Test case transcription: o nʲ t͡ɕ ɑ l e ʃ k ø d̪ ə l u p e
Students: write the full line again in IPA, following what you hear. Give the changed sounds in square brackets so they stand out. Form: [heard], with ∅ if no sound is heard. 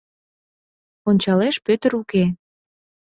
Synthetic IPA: o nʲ t͡ɕ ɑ l e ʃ [p] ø [t̪] ə [ɾ] u [k] e